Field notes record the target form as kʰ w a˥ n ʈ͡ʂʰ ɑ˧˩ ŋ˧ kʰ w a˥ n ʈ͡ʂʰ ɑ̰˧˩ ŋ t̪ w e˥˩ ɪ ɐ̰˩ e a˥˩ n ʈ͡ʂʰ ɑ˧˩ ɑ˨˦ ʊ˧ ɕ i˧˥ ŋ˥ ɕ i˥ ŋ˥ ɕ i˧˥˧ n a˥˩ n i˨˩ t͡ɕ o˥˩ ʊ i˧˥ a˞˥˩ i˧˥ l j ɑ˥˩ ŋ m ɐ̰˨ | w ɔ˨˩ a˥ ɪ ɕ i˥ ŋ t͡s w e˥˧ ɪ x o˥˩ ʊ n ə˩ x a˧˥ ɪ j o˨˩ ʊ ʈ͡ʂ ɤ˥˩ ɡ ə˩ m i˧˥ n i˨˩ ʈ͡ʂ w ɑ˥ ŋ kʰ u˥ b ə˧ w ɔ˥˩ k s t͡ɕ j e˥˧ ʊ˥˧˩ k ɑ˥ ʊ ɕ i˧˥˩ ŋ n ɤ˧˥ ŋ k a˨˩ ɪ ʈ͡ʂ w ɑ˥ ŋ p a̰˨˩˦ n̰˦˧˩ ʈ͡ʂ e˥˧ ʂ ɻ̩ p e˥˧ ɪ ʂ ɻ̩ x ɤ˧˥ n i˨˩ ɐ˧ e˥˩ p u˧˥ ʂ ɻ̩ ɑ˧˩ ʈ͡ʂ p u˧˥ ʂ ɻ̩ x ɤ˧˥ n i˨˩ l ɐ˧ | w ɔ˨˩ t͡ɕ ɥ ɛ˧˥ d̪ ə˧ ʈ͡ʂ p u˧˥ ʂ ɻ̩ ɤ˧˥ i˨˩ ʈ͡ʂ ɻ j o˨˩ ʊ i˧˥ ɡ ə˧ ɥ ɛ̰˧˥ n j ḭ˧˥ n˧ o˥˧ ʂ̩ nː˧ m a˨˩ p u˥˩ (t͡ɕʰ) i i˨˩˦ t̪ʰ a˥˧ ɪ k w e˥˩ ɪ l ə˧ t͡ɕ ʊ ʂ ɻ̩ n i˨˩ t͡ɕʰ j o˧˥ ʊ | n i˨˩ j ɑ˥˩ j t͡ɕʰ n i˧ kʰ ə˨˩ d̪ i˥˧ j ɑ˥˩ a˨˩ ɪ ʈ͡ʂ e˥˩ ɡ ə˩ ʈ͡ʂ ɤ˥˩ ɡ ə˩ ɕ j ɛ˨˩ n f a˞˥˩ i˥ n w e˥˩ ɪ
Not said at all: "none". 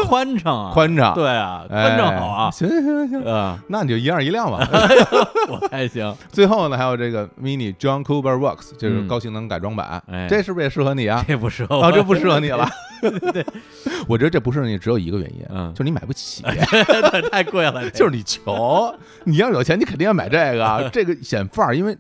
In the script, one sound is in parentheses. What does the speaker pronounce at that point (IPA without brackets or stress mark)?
t͡ɕʰ